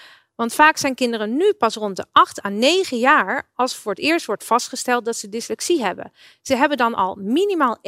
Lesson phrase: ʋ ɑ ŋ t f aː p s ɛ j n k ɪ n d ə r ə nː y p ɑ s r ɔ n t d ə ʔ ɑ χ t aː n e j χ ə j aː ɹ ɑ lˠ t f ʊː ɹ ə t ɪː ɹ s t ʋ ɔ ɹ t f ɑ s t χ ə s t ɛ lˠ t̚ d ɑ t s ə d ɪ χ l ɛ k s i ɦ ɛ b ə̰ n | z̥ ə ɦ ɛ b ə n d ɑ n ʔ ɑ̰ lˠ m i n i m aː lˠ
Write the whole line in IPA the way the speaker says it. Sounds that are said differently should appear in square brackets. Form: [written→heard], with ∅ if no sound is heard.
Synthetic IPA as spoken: ʋ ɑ [ŋ→n] t f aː [p→k] s ɛ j n k ɪ n d ə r ə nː y p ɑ s r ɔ n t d ə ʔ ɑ χ t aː n e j χ ə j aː ɹ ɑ lˠ [t→s] f ʊː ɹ ə t ɪː ɹ s t ʋ ɔ ɹ t f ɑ s t χ ə s t ɛ lˠ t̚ d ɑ t s ə d ɪ [χ→s] l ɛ k s i ɦ ɛ b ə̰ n | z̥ ə ɦ ɛ b ə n d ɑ n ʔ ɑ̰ lˠ m i n i m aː lˠ